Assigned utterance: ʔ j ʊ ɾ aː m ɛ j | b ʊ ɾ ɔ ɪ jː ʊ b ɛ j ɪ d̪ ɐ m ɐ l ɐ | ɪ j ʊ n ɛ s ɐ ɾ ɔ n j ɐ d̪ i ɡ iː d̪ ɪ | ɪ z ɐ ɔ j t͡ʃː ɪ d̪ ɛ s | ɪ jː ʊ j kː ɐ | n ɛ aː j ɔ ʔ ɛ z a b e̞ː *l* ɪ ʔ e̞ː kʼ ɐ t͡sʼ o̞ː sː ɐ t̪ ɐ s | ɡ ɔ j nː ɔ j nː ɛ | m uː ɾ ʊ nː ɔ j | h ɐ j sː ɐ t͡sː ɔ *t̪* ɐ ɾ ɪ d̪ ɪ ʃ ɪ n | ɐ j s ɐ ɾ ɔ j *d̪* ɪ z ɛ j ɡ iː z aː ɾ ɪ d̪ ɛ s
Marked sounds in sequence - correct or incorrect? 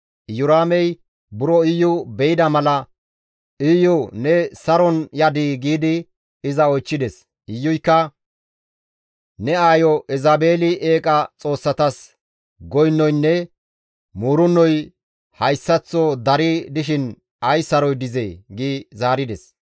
correct, incorrect: d̪, correct

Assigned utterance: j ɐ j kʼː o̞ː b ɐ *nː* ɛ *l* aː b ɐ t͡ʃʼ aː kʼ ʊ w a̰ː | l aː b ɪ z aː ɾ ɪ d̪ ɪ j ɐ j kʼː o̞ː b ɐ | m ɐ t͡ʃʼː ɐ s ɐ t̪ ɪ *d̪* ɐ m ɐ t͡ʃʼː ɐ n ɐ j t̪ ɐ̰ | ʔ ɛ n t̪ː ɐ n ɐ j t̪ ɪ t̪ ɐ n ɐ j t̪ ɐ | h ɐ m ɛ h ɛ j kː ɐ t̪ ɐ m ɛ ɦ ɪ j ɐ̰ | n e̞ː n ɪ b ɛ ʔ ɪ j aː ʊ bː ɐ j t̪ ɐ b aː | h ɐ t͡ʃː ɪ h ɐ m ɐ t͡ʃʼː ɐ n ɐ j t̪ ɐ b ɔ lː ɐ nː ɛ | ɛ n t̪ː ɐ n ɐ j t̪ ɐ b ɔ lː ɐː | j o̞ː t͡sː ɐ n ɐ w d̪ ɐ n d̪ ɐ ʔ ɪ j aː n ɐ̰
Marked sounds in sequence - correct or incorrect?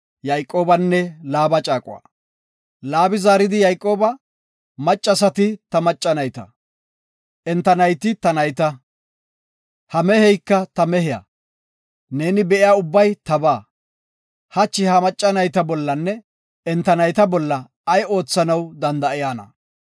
correct, correct, incorrect: t̪

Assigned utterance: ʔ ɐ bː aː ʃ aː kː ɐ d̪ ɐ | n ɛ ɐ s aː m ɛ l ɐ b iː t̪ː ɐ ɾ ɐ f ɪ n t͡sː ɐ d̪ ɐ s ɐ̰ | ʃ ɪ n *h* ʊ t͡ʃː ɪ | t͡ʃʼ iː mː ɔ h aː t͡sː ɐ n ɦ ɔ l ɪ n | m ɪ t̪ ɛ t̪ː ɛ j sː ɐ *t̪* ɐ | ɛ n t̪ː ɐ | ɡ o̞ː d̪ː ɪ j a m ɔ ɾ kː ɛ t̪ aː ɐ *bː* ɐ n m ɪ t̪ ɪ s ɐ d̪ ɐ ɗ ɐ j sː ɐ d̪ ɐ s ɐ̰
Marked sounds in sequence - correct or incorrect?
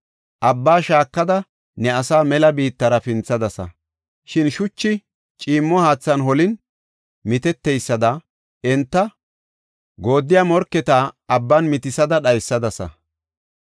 incorrect: ʃ, incorrect: d̪, correct

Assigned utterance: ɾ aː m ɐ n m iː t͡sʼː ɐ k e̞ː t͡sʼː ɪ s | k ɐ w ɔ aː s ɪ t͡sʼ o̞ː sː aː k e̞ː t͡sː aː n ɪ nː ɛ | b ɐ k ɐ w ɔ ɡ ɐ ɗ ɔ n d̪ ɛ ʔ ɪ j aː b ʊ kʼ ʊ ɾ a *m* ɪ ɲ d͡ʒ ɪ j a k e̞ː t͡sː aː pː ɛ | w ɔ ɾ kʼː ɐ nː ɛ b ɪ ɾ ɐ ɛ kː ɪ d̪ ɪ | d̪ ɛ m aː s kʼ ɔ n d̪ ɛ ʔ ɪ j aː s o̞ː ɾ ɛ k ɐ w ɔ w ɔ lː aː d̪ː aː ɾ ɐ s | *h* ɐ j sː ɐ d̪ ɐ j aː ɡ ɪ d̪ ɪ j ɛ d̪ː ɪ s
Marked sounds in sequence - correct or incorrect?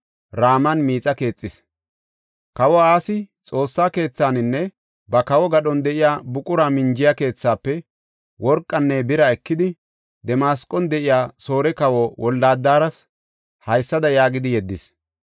correct, correct

